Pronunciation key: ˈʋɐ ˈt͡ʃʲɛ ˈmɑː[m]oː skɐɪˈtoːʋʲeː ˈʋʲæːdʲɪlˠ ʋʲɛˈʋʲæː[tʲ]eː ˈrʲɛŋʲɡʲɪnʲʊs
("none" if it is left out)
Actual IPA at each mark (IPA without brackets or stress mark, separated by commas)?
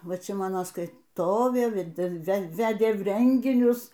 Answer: n, dʲ